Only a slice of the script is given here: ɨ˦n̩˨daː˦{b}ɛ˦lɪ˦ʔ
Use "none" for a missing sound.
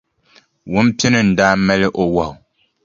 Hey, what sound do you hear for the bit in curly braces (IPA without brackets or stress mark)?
m